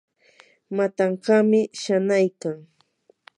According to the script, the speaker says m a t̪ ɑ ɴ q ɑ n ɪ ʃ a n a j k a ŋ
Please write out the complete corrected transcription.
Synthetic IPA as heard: m a t̪ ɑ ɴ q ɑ m ɪ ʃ a n a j k a ŋ